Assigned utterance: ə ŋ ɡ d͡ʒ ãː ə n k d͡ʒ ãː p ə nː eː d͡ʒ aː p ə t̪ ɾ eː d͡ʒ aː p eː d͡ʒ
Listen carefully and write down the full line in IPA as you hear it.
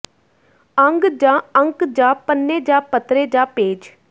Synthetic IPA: ə ŋ ɡ d͡ʒ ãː ə ŋ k d͡ʒ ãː p ə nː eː d͡ʒ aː p ə t̪ ɾ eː d͡ʒ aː p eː d͡ʒ